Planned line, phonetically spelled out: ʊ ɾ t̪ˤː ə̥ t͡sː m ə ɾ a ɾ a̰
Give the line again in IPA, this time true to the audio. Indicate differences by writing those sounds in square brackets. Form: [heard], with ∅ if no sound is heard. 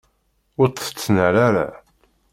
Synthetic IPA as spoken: ʊ ɾ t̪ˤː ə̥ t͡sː [n] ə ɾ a ɾ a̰